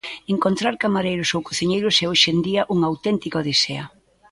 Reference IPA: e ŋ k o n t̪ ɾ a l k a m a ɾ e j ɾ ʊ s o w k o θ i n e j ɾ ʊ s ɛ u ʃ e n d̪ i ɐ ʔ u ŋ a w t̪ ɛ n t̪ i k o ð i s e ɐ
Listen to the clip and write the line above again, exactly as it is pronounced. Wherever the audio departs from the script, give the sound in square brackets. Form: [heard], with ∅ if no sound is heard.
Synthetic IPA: e ŋ k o n t̪ ɾ a [ɾ] k a m a ɾ e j ɾ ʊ s o w k o θ i [ɲ] e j ɾ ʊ s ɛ [o] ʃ e n d̪ i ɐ ʔ u ŋ a w t̪ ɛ n t̪ i k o ð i s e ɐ